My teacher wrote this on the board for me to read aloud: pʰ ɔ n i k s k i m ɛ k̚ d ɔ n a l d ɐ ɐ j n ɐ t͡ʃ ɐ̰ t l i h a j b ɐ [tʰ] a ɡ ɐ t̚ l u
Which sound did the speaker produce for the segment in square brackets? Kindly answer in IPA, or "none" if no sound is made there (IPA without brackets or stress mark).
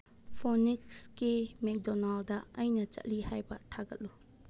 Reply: tʰ